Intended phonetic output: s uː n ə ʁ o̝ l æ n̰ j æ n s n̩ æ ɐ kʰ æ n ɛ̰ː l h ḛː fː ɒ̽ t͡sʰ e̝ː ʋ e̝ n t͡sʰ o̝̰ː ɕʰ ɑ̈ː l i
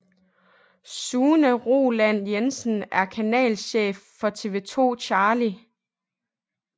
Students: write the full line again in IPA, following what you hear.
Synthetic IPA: s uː n ə ʁ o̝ l æ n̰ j e n s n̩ æ ɐ kʰ æ n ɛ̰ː l ɕ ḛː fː ɒ̽ t͡sʰ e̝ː ʋ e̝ t͡sʰ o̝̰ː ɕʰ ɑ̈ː l i